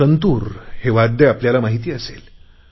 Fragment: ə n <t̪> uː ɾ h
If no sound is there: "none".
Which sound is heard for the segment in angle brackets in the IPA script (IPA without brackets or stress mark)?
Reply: t̪